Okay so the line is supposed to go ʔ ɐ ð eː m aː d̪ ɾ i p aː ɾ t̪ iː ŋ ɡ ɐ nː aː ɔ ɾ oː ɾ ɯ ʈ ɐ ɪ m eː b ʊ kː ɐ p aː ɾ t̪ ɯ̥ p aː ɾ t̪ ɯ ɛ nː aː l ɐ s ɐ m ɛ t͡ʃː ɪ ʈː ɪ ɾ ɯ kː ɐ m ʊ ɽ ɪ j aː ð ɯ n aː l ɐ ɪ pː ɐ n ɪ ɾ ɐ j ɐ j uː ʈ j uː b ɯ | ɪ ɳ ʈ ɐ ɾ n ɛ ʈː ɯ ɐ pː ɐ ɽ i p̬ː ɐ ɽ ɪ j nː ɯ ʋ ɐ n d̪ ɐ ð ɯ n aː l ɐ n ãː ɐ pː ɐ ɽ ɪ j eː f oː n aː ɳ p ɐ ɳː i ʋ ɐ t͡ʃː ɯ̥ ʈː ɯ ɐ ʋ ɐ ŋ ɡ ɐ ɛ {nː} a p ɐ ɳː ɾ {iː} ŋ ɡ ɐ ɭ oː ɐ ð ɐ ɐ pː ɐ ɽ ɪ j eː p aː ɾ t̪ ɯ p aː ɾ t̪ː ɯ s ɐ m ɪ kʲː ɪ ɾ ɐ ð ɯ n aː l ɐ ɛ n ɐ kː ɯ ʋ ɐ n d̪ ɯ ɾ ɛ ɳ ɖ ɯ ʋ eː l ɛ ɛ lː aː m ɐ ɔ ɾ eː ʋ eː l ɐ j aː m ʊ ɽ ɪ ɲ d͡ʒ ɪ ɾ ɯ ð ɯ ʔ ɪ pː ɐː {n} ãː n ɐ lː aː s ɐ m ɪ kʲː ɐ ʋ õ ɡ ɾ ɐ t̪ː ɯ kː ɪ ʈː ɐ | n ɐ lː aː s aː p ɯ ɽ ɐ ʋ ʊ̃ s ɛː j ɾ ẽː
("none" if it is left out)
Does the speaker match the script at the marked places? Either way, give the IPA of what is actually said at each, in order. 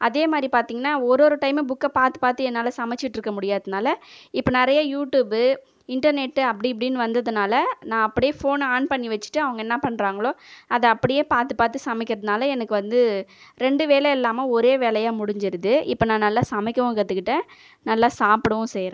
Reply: nː, aː, n

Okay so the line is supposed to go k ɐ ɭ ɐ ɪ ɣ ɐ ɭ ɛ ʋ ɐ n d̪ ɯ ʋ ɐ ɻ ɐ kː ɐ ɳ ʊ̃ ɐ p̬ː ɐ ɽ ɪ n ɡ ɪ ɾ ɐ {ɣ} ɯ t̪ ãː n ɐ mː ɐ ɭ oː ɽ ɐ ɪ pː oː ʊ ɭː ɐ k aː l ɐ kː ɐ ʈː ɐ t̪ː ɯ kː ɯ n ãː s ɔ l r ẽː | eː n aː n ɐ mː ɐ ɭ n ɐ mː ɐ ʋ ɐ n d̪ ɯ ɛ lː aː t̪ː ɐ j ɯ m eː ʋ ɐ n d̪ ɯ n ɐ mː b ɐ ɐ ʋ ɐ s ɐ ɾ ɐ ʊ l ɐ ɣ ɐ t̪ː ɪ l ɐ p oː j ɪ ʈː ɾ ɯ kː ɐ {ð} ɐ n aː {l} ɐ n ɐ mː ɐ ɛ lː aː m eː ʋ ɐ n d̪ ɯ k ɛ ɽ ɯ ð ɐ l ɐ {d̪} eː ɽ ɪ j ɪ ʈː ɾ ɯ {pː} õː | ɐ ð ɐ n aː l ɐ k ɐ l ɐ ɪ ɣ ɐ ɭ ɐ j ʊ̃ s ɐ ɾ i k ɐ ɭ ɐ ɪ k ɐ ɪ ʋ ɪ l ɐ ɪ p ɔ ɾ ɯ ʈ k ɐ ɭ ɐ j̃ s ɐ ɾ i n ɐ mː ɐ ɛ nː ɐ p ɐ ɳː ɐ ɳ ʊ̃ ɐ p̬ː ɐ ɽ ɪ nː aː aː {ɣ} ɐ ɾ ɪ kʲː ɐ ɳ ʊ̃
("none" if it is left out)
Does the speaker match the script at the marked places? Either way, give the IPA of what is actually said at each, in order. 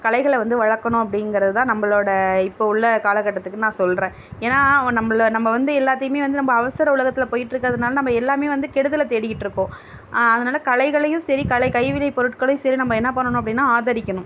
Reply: ð, ð, l, t̪, kː, ð

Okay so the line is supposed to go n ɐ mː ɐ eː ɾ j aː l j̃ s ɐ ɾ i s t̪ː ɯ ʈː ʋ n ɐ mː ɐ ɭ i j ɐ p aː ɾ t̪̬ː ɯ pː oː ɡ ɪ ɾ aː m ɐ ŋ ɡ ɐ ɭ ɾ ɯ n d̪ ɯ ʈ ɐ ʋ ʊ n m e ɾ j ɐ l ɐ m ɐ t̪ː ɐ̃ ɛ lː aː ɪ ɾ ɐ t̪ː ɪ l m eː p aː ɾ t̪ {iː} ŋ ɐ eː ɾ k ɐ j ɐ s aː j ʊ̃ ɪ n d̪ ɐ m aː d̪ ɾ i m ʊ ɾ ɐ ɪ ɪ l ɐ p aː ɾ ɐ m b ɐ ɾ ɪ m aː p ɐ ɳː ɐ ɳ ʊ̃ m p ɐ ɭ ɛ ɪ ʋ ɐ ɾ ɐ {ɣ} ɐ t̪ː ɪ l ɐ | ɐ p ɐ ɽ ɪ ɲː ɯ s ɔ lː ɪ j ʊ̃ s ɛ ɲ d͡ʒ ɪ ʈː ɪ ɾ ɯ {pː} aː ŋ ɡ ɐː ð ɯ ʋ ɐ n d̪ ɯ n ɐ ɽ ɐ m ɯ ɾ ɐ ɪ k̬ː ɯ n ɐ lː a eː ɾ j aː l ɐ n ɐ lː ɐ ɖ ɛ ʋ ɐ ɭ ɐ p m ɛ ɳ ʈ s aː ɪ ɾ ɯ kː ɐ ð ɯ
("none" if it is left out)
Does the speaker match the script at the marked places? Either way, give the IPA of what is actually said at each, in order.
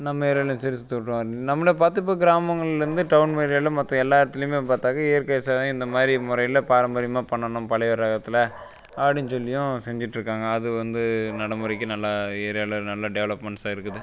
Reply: aː, ɣ, kː

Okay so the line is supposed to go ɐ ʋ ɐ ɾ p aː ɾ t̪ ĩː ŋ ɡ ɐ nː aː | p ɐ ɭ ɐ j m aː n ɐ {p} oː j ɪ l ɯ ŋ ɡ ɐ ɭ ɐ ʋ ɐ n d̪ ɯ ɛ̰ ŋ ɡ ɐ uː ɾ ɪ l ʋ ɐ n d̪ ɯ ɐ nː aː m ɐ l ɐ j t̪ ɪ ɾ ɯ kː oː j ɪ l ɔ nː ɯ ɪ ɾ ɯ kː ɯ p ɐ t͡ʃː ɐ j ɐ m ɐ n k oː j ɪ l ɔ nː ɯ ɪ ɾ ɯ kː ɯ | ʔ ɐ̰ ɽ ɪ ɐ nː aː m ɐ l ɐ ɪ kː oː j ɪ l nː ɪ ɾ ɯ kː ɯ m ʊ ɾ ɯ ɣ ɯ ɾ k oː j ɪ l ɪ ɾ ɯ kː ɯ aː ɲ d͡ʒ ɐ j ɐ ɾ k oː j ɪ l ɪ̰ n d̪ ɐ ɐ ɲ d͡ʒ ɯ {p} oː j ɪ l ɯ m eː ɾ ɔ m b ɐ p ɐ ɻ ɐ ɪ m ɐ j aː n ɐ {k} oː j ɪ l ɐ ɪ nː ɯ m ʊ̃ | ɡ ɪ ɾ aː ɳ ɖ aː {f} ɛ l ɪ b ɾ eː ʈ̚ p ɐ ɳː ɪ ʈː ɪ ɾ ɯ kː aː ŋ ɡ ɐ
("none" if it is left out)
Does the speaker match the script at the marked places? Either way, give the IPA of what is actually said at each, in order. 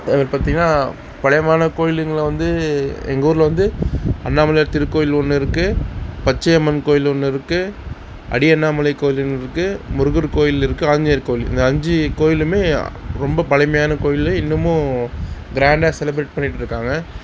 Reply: k, k, k, s

